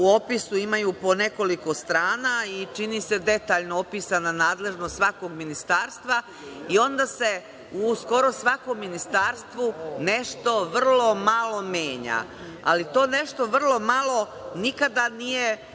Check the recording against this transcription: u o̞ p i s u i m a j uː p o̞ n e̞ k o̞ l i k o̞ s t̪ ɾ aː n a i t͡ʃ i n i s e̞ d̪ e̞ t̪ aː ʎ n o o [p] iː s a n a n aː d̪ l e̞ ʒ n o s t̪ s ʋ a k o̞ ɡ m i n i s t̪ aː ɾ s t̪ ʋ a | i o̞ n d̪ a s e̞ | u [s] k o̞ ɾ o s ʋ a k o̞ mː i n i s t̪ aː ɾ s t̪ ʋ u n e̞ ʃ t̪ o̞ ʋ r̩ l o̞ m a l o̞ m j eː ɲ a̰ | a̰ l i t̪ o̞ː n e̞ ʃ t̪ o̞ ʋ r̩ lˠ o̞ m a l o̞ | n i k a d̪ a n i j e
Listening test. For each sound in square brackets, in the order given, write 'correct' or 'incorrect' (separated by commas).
correct, correct